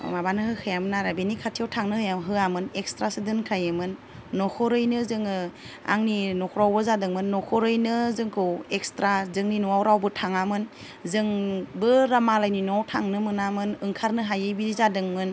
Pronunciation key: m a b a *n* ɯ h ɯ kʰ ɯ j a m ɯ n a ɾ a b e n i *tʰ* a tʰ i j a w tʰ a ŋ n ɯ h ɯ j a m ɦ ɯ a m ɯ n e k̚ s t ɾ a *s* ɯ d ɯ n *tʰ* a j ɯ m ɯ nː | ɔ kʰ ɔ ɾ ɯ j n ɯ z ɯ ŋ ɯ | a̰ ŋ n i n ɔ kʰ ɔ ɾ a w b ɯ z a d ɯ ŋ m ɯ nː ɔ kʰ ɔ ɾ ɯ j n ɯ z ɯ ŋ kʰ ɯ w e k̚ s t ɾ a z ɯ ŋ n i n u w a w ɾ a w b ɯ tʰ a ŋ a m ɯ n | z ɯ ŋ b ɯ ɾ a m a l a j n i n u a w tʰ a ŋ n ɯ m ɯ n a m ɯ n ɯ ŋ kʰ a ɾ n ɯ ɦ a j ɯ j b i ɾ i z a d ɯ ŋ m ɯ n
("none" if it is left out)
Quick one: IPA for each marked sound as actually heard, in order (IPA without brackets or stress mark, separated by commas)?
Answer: n, kʰ, s, kʰ